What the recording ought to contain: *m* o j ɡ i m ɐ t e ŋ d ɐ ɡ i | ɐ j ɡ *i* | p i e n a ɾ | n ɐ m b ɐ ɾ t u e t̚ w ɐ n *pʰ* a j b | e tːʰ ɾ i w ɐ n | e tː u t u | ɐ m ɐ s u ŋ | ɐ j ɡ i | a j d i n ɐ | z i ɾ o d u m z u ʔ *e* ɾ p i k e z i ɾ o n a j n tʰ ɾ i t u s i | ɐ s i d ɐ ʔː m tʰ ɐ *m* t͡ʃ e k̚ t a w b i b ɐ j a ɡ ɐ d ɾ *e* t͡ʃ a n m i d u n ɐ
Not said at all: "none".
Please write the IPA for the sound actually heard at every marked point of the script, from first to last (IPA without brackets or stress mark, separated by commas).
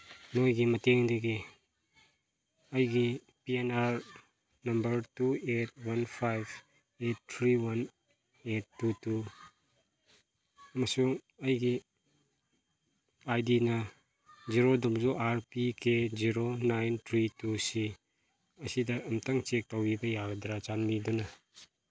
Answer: n, i, pʰ, a, ŋ, a